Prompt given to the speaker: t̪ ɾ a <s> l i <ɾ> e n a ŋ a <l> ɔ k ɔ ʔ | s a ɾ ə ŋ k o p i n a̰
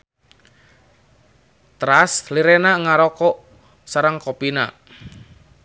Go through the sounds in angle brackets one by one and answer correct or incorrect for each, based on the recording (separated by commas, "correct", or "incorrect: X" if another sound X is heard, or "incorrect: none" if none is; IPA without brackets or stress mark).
correct, correct, incorrect: ɾ